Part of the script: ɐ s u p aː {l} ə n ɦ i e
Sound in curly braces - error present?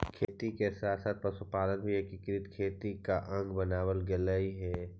no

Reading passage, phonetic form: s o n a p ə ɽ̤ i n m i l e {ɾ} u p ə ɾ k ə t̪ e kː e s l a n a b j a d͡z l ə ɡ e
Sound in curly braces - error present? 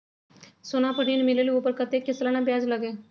yes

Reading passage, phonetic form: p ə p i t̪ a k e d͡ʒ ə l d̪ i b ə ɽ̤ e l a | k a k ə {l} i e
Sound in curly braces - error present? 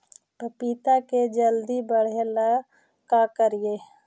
yes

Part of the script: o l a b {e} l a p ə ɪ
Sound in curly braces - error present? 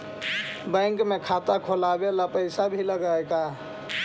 no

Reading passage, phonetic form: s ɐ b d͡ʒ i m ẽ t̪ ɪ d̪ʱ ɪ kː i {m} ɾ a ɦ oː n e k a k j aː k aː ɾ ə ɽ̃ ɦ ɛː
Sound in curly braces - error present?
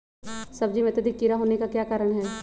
yes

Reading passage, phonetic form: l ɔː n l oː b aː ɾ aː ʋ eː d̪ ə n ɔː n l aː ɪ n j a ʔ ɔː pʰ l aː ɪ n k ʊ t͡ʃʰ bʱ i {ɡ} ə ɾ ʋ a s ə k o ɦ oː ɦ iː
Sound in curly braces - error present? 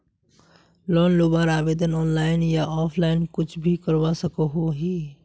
yes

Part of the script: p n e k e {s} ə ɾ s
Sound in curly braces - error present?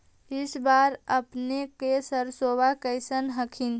no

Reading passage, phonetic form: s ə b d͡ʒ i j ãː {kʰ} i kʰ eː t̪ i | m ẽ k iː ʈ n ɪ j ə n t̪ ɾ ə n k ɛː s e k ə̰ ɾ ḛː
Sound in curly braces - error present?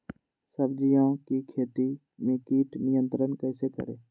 yes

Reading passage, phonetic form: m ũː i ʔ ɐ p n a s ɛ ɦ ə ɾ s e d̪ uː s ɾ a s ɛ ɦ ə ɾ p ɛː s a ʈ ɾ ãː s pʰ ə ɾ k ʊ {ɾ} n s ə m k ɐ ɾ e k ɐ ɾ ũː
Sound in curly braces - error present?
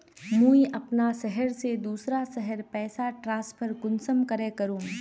yes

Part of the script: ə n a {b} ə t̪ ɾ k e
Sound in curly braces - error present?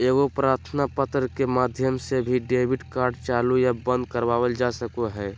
yes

